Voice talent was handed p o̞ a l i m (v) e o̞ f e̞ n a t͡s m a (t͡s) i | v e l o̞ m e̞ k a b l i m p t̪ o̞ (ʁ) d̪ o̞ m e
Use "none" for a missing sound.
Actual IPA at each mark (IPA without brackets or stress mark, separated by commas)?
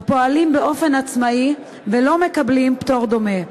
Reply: b, none, ʁ